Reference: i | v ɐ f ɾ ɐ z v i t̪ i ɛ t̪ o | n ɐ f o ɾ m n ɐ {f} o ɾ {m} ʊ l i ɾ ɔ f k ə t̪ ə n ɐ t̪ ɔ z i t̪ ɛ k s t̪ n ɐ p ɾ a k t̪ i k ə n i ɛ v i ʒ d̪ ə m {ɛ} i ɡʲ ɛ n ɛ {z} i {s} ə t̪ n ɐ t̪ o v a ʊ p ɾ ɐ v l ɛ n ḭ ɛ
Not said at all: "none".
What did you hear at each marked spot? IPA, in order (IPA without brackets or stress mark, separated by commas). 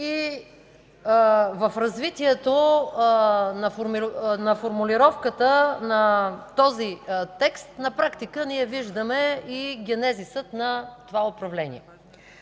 f, m, ɛ, z, s